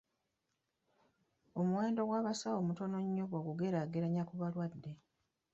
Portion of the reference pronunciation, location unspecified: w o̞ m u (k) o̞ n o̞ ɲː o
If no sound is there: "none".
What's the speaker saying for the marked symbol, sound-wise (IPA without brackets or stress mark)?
t